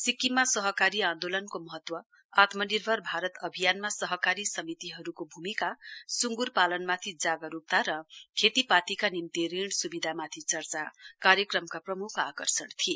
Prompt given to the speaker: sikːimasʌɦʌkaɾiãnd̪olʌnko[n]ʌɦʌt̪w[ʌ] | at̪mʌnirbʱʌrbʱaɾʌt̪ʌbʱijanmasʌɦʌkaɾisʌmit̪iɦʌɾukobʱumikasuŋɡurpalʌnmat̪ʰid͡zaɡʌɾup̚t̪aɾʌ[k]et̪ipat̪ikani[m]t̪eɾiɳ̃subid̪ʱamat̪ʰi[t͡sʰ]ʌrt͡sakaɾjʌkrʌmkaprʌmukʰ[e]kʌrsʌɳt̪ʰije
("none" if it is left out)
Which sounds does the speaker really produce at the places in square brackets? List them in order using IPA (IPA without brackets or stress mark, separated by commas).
m, ʌ, kʰ, m, t͡s, a